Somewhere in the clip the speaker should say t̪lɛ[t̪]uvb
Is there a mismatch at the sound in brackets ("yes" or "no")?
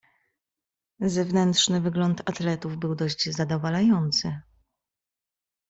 no